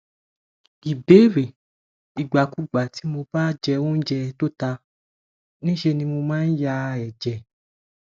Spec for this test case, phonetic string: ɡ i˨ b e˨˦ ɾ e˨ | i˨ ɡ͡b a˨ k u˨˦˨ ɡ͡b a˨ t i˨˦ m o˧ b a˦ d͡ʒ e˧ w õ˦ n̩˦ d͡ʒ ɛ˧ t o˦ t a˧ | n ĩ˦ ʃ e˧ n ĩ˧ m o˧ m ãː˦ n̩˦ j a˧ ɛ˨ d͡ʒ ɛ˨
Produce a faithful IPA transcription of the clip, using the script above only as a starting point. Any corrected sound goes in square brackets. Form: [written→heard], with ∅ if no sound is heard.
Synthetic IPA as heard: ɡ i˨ b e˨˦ ɾ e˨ | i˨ ɡ͡b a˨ k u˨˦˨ ɡ͡b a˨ t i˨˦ m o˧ b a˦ d͡ʒ [e˧→ɛ˧] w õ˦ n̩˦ d͡ʒ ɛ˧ t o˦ t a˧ | n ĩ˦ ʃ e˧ n ĩ˧ m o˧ m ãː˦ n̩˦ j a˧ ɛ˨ d͡ʒ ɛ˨